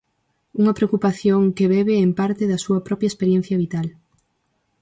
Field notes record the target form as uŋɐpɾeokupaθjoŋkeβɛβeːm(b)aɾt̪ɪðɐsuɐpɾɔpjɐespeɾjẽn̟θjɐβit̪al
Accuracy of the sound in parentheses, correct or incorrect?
incorrect